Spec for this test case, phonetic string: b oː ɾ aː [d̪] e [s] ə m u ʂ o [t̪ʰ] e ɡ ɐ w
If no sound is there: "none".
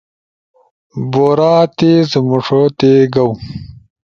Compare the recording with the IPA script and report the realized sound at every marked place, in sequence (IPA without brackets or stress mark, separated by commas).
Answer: t̪, z, t̪